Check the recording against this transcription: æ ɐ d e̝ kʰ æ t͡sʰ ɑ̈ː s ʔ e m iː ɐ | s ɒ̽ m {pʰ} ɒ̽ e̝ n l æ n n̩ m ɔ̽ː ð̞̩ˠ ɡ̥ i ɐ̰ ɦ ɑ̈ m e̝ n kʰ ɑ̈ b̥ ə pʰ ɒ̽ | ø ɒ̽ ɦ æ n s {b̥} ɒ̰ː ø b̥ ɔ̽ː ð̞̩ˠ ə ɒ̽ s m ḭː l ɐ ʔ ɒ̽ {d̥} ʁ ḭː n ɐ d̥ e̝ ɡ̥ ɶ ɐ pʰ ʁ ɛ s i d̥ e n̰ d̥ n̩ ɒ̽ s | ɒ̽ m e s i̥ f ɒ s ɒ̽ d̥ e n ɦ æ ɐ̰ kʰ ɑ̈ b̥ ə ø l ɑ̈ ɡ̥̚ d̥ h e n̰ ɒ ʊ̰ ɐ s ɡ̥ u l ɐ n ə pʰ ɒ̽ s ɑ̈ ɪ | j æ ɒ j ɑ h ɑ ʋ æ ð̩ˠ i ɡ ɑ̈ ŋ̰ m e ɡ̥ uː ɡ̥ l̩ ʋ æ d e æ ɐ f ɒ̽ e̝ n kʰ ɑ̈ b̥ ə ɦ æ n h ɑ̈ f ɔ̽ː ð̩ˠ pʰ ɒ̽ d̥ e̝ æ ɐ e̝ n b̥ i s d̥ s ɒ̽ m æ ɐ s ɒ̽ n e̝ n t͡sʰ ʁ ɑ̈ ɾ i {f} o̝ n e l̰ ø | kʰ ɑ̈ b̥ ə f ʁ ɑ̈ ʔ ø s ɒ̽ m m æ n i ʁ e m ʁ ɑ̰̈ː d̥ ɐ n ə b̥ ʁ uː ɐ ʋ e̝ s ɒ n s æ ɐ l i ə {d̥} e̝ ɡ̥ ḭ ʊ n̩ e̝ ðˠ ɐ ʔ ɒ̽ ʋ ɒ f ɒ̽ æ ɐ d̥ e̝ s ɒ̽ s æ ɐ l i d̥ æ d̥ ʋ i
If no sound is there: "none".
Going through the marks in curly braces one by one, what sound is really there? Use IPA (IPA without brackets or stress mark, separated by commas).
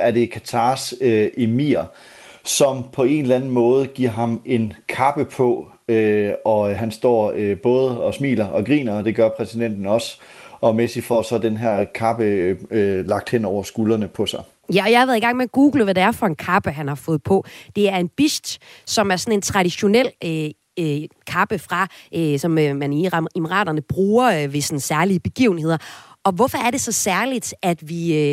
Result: pʰ, d̥, ɡ̥, ɕ, b̥